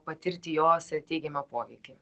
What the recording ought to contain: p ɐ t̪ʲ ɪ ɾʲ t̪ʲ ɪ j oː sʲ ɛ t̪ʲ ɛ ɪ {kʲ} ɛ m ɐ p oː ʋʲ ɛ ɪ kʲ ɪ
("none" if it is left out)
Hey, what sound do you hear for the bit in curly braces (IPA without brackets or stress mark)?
ɡʲ